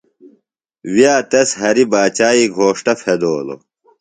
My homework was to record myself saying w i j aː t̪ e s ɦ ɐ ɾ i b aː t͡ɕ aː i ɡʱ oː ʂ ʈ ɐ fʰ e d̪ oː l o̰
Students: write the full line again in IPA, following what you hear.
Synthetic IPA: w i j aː t̪ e s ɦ ɐ ɾ i b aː t͡ɕ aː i ɡʱ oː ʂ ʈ ɐ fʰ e d̪ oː l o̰